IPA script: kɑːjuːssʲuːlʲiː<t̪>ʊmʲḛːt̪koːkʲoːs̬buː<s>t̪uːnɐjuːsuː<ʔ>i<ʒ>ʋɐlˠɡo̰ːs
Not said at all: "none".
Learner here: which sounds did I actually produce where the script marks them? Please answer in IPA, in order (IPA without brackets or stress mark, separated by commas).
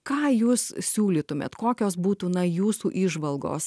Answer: t̪, none, ʔ, ʒ